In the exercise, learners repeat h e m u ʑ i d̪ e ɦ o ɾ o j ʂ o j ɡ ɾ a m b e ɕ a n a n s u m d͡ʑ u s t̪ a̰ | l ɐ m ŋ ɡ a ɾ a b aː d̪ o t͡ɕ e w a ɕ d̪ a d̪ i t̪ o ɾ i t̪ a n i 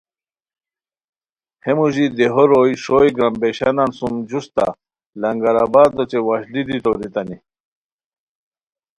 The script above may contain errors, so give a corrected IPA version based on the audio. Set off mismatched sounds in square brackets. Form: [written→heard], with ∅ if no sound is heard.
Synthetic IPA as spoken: h e m u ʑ i d̪ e ɦ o ɾ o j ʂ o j ɡ ɾ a m b e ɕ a n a n s u m d͡ʑ u s t̪ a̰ | l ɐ [m→∅] ŋ ɡ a ɾ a b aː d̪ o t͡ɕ e w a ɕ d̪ [a→i] d̪ i t̪ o ɾ i t̪ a n i

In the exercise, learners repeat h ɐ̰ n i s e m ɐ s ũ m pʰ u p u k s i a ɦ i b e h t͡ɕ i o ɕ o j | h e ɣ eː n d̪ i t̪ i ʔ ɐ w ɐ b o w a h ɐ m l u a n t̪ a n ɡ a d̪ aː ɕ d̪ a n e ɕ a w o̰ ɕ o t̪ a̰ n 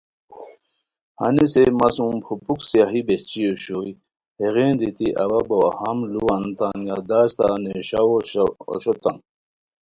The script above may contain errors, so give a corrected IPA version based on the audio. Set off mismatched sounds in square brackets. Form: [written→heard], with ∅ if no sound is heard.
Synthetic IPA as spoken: h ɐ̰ n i s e m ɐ s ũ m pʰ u p u k s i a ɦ i b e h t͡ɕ i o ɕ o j | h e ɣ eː n d̪ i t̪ i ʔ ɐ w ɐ b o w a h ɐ m l u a n t̪ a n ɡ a d̪ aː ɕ [d̪→t̪] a n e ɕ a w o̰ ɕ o t̪ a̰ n

